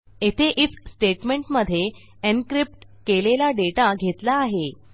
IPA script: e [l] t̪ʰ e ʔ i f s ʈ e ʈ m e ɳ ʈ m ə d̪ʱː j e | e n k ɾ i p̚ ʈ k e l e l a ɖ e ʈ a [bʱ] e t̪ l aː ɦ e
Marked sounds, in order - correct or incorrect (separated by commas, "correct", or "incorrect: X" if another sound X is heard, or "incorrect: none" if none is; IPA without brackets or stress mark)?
incorrect: none, incorrect: ɡʱ